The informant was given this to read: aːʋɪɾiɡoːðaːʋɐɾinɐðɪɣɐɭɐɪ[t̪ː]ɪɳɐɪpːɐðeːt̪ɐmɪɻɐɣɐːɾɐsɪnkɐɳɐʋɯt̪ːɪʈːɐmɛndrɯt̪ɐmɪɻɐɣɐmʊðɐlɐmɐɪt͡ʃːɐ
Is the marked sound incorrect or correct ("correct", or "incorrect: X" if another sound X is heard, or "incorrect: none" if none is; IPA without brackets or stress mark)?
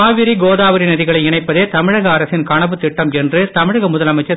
incorrect: none